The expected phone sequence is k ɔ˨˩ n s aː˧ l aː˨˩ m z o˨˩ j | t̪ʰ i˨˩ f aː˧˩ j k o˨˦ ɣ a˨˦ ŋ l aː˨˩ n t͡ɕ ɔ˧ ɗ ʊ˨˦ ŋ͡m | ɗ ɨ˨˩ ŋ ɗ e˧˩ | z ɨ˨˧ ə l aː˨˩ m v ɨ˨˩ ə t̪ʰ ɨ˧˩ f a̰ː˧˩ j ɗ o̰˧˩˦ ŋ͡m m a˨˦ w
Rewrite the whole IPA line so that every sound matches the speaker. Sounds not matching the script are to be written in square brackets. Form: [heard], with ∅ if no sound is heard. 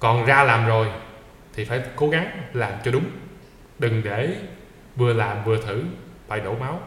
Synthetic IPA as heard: k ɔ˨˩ n [z] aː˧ l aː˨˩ m z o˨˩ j | t̪ʰ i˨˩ f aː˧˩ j k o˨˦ ɣ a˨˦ ŋ l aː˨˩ [m] t͡ɕ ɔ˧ ɗ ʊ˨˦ ŋ͡m | ɗ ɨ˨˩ ŋ ɗ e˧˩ | [v] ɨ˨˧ ə l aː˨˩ m v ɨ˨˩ ə t̪ʰ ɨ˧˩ f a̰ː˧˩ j ɗ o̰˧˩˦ [∅] m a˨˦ w